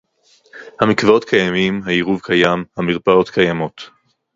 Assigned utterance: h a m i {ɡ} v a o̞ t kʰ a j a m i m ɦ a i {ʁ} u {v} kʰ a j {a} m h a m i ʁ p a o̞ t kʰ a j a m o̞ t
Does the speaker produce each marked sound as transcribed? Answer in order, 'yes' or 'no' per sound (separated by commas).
no, yes, yes, yes